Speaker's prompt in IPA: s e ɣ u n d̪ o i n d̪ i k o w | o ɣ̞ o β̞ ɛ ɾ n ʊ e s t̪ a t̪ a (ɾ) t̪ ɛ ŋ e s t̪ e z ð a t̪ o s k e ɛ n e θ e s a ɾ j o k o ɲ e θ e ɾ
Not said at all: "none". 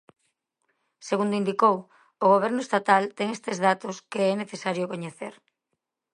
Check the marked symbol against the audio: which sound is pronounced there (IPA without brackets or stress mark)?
l